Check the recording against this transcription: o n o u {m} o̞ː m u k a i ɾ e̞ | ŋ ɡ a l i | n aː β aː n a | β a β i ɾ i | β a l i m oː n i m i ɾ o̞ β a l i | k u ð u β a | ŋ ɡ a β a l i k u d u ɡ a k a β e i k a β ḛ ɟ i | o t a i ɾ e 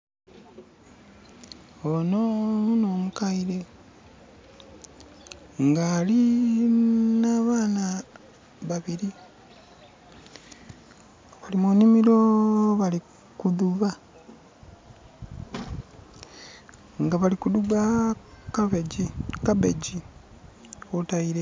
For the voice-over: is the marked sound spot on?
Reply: no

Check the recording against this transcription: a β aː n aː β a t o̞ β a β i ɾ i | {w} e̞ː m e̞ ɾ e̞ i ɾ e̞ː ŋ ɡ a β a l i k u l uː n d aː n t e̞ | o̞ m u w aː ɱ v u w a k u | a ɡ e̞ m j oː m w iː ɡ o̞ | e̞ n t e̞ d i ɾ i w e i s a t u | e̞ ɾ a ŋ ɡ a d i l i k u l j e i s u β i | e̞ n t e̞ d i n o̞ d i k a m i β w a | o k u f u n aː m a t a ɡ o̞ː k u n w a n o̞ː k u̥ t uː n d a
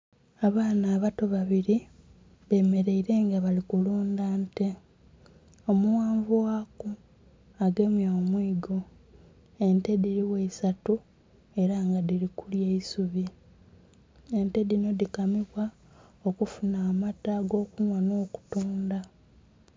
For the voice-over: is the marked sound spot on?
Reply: no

